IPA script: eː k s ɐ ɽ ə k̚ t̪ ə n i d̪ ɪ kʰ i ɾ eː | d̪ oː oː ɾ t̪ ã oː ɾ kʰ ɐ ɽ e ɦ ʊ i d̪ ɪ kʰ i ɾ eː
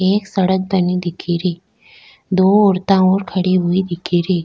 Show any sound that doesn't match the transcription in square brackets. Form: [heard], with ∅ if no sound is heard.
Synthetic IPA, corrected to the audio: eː k s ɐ ɽ ə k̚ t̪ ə n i d̪ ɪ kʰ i ɾ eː | d̪ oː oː ɾ t̪ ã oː ɾ kʰ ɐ ɽ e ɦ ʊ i d̪ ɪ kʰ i ɾ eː